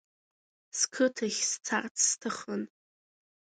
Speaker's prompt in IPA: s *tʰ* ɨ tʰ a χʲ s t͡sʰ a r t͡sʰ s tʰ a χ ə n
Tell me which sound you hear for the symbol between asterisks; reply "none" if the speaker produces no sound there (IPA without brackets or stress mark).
kʰ